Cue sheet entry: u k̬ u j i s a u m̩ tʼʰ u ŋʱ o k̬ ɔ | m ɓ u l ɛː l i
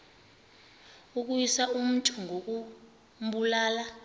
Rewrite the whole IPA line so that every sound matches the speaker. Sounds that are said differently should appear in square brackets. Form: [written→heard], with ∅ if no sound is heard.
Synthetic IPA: u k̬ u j i s a u m̩ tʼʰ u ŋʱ o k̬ [ɔ→u] | m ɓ u l [ɛː→aː] l [i→a]

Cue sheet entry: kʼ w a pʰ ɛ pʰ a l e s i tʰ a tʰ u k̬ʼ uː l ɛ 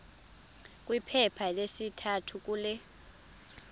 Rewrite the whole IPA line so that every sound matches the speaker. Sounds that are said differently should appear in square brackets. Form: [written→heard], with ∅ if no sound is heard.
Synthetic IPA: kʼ w [a→i] pʰ ɛ pʰ a l e s i tʰ a tʰ u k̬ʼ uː l ɛ

